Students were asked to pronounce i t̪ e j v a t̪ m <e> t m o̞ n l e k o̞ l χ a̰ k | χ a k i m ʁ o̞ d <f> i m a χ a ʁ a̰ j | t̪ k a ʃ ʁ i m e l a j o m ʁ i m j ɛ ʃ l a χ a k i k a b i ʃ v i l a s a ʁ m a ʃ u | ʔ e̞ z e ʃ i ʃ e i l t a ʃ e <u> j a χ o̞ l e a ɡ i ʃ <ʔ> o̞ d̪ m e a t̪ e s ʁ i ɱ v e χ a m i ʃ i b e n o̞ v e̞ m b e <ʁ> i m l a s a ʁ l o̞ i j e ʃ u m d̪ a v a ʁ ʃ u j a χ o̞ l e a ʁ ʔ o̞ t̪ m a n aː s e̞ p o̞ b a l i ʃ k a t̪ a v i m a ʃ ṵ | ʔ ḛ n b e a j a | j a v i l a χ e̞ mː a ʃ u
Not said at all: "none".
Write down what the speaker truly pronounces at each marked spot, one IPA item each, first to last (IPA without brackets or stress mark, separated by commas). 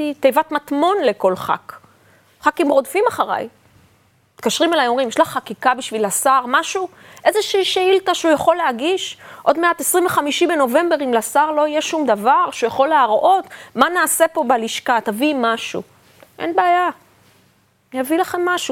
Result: a, f, u, ʔ, ʁ